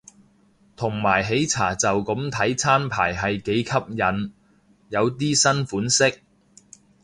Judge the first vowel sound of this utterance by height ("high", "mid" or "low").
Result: high